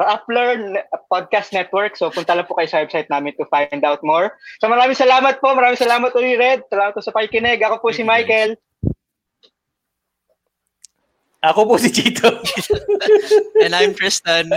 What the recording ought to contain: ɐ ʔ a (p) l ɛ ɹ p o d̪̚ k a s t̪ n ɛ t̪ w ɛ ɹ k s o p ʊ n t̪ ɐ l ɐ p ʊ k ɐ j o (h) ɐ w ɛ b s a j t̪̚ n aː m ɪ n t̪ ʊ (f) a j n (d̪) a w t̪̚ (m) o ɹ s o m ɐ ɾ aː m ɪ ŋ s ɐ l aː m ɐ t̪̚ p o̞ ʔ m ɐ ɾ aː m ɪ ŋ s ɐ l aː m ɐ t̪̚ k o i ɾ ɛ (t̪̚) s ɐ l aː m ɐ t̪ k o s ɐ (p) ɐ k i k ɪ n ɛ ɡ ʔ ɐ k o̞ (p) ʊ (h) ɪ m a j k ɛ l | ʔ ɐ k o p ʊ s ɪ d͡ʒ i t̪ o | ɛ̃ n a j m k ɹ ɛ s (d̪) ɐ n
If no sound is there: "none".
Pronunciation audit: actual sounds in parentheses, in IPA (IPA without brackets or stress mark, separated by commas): p, s, f, d̪, m, d̪̚, p, p, s, t̪